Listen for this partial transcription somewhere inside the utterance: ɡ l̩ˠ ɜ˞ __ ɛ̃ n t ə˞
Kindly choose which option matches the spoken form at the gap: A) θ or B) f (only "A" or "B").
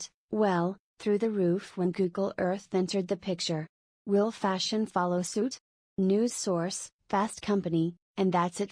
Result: A